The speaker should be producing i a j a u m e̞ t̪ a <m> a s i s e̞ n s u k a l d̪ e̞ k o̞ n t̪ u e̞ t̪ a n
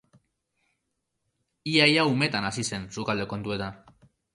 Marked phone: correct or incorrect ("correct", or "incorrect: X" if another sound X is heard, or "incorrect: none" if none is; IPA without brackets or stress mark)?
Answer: incorrect: n